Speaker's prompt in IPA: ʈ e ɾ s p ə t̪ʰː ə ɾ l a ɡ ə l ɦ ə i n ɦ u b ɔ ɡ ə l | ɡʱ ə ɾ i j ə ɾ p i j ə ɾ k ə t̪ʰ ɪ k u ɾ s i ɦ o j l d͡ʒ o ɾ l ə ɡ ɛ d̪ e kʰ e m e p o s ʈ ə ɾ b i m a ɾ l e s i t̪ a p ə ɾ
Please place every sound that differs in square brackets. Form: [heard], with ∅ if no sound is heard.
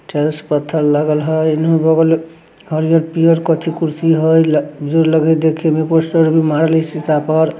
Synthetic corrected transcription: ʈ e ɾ s p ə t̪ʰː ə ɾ l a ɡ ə l ɦ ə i n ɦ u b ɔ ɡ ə l | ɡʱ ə ɾ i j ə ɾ p i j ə ɾ k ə t̪ʰ [i] k u ɾ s i ɦ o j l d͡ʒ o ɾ l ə ɡ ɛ d̪ e kʰ e m e p o s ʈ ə ɾ b i m a ɾ l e s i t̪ a p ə ɾ